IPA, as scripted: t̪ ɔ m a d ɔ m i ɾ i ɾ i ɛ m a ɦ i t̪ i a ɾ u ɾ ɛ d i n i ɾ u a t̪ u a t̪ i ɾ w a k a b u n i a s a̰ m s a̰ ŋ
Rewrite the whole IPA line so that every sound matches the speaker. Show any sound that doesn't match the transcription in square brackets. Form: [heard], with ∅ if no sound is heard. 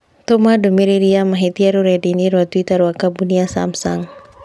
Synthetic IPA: t̪ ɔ m a d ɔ m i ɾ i ɾ i [a] m a ɦ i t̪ i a ɾ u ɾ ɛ d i n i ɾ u a t̪ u [i] t̪ [a] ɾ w a k a b u n i a s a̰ m s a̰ ŋ